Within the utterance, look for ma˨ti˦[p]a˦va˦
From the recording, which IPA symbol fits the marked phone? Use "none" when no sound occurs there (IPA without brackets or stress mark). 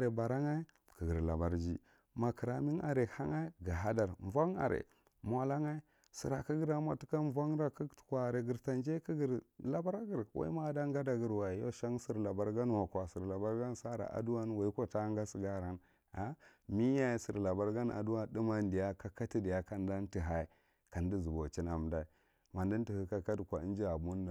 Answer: k